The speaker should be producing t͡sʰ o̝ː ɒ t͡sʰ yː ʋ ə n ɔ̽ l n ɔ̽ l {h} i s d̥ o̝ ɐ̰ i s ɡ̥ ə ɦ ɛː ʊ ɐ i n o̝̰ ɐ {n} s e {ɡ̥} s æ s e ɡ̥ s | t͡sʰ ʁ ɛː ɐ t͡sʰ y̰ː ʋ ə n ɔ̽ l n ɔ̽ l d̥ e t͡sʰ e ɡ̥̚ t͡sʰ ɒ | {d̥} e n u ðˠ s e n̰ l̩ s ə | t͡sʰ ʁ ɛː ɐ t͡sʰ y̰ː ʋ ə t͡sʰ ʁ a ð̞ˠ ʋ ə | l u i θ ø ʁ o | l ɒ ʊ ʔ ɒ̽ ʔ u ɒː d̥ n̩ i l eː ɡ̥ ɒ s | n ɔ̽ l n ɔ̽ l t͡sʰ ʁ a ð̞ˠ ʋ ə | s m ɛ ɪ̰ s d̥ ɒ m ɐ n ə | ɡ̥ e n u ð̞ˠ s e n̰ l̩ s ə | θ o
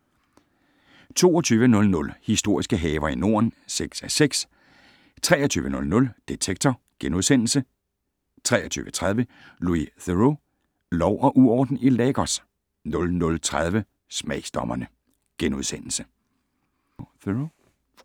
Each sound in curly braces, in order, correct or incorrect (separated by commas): correct, correct, correct, incorrect